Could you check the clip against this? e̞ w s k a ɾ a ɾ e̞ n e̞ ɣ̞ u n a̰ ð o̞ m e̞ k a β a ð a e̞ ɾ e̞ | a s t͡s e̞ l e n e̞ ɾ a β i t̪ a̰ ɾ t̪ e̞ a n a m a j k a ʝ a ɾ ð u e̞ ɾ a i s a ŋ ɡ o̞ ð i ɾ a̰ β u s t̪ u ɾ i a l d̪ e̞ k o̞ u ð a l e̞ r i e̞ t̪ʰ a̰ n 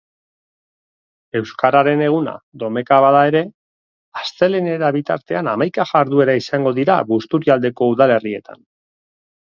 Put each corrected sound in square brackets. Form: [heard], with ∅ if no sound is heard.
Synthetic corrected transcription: e̞ w s k a ɾ a ɾ e̞ n e̞ ɣ̞ u n a̰ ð o̞ m e̞ k a β a ð a e̞ ɾ e̞ | a s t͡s e̞ l e n e̞ ɾ a β i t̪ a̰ ɾ t̪ e̞ a n a m a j k a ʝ a ɾ ð u e̞ ɾ a i s a ŋ ɡ o̞ ð i ɾ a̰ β u s t̪ u ɾ i a l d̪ e̞ k o̞ u ð a l e̞ r i e̞ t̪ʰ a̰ n